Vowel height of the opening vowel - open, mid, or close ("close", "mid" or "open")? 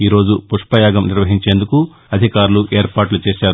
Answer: close